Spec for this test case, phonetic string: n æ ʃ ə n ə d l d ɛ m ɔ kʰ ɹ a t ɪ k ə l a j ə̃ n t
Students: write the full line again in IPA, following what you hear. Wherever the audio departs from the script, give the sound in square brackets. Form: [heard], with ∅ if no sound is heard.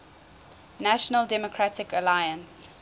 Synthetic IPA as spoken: n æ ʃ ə n ə [∅] l d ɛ m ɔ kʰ ɹ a t ɪ k ə l a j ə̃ n [s]